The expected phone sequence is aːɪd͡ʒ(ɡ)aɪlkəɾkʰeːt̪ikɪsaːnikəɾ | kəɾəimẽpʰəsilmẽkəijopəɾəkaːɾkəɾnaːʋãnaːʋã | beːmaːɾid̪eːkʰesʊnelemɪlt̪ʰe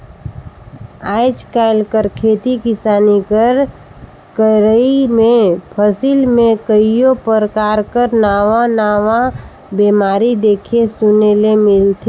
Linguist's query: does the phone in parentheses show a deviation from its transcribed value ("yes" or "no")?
yes